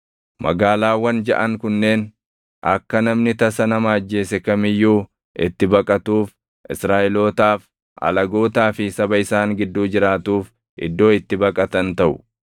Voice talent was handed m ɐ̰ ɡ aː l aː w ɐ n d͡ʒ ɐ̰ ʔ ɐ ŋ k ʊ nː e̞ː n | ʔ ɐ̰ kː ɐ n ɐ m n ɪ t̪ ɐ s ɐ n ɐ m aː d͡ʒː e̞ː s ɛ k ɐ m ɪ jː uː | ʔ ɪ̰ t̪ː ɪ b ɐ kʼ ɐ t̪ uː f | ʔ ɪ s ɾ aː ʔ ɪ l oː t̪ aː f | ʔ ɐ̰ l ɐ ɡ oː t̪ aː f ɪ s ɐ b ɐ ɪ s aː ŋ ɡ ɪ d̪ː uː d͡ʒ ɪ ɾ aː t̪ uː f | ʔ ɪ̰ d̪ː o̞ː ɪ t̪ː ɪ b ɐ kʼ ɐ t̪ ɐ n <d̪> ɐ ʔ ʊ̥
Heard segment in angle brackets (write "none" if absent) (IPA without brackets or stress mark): t̪